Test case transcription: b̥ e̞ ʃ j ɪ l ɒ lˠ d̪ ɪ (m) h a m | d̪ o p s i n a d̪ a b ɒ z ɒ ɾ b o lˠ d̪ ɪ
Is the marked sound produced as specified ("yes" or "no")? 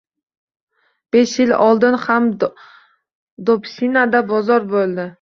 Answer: no